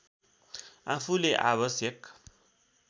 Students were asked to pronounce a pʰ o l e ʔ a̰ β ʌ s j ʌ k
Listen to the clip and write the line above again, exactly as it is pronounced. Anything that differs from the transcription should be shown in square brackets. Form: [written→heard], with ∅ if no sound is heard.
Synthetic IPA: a pʰ [o→u] l e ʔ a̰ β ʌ s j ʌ k